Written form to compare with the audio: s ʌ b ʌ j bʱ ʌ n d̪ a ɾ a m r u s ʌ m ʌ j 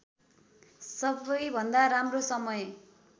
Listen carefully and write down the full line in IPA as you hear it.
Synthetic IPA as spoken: s ʌ b ʌ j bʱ ʌ n d̪ a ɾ a m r o s ʌ m ʌ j